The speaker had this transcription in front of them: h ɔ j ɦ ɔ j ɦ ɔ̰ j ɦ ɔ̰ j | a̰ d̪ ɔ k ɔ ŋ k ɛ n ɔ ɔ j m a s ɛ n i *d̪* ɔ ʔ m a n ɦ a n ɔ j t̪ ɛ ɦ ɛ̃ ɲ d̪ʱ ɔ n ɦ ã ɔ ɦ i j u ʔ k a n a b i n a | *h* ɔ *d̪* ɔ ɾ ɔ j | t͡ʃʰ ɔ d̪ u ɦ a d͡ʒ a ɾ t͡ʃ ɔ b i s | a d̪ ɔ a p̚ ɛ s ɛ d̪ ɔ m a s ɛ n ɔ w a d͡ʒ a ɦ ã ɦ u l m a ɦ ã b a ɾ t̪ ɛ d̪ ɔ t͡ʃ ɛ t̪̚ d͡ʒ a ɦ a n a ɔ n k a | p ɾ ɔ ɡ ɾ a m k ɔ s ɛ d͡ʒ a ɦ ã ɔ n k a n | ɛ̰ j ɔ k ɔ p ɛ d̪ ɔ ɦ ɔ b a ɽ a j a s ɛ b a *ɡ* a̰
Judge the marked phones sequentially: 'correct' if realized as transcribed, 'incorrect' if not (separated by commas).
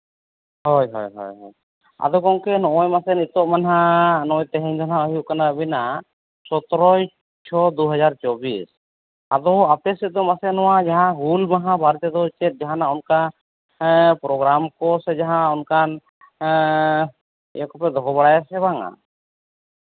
incorrect, incorrect, incorrect, incorrect